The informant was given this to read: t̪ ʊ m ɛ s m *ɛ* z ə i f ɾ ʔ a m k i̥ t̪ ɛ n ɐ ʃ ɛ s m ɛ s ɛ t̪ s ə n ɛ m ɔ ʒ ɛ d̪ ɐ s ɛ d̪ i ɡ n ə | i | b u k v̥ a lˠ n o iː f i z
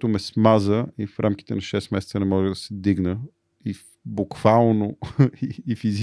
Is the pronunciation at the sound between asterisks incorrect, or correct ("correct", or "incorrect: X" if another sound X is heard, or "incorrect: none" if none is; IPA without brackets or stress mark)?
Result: incorrect: a